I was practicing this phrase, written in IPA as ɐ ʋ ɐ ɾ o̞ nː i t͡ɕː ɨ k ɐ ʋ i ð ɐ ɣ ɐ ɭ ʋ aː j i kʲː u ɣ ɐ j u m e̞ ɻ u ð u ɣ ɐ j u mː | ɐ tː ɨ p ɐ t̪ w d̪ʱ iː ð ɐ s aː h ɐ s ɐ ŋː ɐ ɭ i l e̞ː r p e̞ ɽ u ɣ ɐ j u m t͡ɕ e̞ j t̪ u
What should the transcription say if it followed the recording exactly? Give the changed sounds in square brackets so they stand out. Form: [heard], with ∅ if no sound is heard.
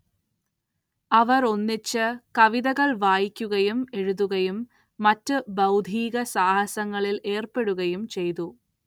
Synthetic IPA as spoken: ɐ ʋ ɐ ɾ o̞ nː i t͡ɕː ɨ k ɐ ʋ i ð ɐ ɣ ɐ ɭ ʋ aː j i kʲː u ɣ ɐ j u m e̞ ɻ u ð u ɣ ɐ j u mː | ɐ tː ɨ [b] ɐ [∅] w d̪ʱ iː [ɣ] ɐ s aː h ɐ s ɐ ŋː ɐ ɭ i l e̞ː r p e̞ ɽ u ɣ ɐ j u m t͡ɕ e̞ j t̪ u